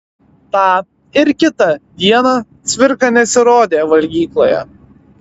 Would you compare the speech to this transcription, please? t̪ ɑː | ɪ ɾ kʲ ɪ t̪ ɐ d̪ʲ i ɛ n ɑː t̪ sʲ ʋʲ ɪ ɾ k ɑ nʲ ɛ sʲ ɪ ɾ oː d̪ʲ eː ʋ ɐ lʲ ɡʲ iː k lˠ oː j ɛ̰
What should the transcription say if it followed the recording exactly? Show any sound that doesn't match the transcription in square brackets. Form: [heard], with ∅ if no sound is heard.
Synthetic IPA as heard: t̪ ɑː | ɪ ɾ kʲ ɪ t̪ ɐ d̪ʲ i ɛ n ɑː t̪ sʲ ʋʲ ɪ ɾ k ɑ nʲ ɛ sʲ ɪ ɾ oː d̪ʲ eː ʋ ɐ lʲ ɡʲ iː k lˠ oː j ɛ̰